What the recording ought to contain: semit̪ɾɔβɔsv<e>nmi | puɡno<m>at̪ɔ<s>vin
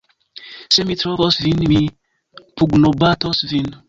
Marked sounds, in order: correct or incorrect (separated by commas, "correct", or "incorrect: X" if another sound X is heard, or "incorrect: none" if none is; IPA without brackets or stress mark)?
incorrect: i, incorrect: b, correct